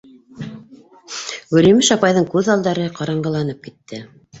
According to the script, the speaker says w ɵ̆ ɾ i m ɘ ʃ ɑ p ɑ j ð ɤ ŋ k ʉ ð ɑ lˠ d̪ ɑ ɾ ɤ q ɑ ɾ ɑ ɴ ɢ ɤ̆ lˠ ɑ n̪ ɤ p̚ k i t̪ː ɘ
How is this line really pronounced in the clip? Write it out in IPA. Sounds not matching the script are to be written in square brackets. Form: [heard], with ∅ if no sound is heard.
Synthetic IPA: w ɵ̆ ɾ i m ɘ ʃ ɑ p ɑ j ð ɤ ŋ k ʉ ð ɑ lˠ d̪ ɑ ɾ ɤ q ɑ ɾ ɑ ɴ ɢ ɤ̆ lˠ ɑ n̪ ɤ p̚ k i t̪ː ɘ